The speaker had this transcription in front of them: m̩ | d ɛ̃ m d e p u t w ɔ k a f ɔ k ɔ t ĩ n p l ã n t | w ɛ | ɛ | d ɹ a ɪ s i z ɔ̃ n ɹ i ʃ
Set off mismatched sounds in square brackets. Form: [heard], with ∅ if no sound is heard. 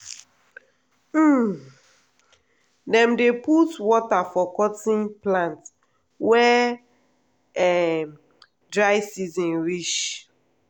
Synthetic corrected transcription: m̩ | d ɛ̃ m d e p u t w ɔ [t] a f ɔ k ɔ t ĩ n p l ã n t | w ɛ | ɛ | d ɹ a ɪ s i z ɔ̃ n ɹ i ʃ

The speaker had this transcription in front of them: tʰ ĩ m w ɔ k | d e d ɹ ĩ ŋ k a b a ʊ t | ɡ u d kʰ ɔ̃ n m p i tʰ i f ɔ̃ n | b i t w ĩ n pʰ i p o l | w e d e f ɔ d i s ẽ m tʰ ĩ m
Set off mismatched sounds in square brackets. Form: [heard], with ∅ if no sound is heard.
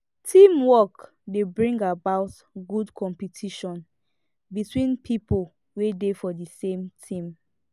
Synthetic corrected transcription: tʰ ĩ m w ɔ k | d e [b] ɹ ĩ ŋ [ɡ] a b a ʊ t | ɡ u d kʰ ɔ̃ [∅] m p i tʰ i [ʃ] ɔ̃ n | b i t w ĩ n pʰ i p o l | w e d e f ɔ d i s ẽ m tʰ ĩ m

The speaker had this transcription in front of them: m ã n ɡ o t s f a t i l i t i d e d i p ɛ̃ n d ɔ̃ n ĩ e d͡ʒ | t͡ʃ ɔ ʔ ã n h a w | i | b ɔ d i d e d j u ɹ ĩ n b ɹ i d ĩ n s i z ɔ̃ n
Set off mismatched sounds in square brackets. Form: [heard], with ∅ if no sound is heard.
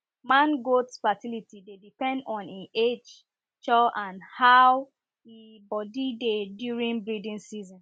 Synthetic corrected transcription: m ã n ɡ o t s f a t i l i t i d e d i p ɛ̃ n d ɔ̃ n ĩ e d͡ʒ | t͡ʃ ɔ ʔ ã n h a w | i | b ɔ d i d e d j u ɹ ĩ n b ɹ i d ĩ n s i z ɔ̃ n

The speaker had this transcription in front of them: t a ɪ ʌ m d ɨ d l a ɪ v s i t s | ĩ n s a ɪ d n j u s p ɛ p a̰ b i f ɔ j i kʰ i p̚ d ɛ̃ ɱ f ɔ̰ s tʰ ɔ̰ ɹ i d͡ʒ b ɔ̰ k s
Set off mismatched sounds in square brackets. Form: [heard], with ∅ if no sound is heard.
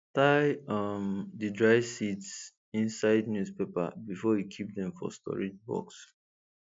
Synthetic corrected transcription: t a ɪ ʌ m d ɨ d [ɹ] a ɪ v s i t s | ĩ n s a ɪ d n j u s p [e] p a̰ b i f ɔ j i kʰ i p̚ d ɛ̃ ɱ f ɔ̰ s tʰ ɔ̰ ɹ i d͡ʒ b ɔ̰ k s

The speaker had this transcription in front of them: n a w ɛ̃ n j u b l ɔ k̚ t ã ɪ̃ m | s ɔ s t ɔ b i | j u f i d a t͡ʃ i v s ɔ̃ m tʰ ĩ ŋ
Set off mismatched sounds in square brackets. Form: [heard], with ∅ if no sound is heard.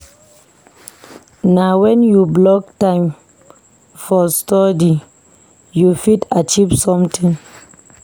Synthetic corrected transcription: n a w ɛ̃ n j u b l ɔ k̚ t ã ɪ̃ m | [f] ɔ s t ɔ [d] i | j u f i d a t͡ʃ i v s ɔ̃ m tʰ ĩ ŋ

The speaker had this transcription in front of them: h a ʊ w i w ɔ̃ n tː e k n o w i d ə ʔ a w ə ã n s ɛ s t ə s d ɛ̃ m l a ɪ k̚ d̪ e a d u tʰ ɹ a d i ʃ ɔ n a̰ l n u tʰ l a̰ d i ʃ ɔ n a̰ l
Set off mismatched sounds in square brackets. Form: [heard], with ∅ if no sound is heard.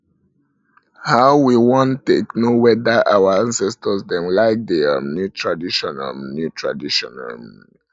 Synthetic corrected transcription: h a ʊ w i w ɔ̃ n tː e k n o w [ɛ] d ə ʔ a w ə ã n s ɛ s t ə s d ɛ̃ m l a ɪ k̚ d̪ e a [n] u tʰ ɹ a d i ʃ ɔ n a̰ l n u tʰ [ɹ] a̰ d i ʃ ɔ n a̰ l

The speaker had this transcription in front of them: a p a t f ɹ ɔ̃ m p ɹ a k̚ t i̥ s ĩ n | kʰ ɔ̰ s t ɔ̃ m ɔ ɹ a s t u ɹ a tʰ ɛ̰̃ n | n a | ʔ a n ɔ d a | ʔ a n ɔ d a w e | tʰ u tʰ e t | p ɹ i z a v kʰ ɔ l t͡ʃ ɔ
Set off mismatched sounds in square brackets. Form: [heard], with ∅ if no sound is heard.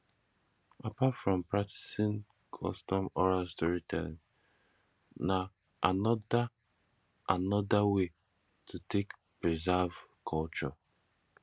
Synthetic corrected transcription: a p a t f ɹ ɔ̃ m p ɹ a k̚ t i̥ s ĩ n | kʰ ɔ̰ s t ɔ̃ m ɔ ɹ a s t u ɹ [i] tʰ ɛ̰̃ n | n a | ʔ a n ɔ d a | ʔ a n ɔ d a w e | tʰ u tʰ e [k] | p ɹ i z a v kʰ ɔ l t͡ʃ ɔ

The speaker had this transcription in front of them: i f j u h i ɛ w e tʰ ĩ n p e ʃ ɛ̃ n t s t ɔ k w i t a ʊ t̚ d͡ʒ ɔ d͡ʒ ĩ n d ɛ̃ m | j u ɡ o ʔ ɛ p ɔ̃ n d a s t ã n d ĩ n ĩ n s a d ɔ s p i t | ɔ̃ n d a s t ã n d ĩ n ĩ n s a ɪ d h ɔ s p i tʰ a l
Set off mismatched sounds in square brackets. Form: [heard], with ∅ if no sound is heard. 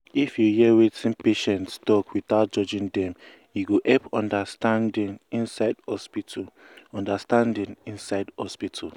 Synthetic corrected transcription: i f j u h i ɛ w e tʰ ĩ n p e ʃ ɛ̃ n t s t ɔ k w i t a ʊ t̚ d͡ʒ ɔ d͡ʒ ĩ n d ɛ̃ m | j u ɡ o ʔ ɛ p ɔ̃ n d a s t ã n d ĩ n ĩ n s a d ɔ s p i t | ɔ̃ n d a s t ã n d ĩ n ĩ n s a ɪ d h ɔ s p i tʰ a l

